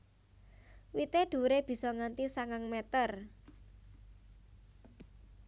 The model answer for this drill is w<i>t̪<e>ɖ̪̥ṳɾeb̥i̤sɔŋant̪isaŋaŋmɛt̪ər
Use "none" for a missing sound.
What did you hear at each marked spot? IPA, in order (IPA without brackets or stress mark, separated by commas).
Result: i, e